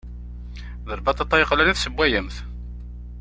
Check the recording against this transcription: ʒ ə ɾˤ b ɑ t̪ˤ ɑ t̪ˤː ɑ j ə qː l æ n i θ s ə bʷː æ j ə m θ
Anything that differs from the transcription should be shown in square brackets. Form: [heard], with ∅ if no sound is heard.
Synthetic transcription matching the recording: [ð] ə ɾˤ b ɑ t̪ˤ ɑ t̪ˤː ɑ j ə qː l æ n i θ s ə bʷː æ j ə m θ